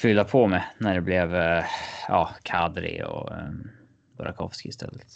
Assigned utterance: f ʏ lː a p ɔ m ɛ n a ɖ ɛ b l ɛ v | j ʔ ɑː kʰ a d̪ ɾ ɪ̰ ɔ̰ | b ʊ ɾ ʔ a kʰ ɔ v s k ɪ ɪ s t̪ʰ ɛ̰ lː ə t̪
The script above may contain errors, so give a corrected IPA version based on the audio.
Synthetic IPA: f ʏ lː a pʰ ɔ m ɛ n æ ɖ ɛ b l ɛ v | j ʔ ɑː kʰ a d̪ ɾ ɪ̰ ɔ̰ | b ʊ ɾ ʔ a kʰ ɔ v s k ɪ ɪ s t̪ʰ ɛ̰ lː ə t̪